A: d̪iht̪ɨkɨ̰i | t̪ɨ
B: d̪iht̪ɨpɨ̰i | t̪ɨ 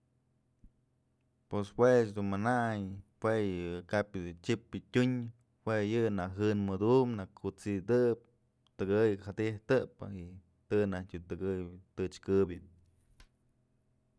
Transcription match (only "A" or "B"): B